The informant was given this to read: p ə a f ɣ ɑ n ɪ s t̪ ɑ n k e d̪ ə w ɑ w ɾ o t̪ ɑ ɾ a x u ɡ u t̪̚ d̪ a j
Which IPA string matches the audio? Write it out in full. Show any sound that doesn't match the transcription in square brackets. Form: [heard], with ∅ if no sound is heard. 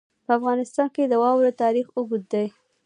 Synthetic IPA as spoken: p ə a f ɣ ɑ n ɪ s t̪ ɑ n k e d̪ ə w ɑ w ɾ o t̪ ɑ ɾ [i] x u ɡ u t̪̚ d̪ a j